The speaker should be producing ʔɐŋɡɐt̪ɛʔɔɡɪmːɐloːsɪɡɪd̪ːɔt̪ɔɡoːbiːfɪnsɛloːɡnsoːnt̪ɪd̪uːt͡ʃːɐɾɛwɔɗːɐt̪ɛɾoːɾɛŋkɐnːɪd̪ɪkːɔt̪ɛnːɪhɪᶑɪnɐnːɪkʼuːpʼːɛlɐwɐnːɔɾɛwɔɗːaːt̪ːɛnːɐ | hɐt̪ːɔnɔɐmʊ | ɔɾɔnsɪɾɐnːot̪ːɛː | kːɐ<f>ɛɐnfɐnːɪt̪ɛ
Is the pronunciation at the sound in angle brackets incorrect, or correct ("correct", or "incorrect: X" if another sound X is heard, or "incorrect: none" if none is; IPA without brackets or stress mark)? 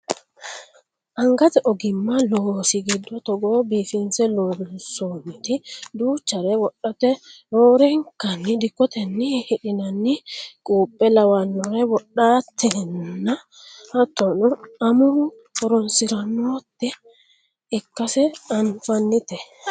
incorrect: s